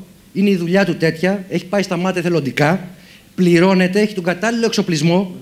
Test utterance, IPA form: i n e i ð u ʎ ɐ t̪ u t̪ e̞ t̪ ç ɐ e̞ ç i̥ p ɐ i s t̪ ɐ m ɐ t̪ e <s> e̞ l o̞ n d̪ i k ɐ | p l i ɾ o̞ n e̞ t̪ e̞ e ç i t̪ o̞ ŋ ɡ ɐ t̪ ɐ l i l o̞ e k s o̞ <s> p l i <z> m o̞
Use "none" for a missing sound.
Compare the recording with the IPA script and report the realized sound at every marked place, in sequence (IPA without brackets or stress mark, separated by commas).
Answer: θ, none, z